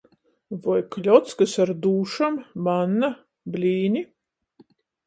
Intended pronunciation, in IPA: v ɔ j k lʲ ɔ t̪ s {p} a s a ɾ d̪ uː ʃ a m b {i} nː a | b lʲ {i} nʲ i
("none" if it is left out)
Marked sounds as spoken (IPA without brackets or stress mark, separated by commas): k, a, iː